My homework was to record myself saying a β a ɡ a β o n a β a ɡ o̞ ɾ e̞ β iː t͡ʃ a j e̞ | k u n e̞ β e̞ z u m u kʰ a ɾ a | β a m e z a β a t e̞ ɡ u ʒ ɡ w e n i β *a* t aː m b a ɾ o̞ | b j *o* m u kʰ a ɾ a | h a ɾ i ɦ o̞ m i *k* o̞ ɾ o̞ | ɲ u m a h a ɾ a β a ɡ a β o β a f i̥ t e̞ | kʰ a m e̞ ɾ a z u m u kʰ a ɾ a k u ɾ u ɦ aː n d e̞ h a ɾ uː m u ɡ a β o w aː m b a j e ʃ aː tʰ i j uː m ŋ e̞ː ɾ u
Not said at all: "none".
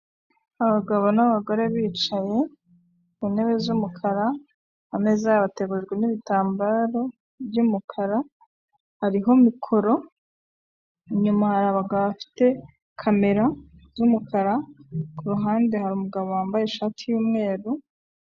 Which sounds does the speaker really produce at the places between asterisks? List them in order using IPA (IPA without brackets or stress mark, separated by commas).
i, u, kʰ